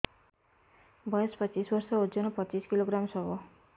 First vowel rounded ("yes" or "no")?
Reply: no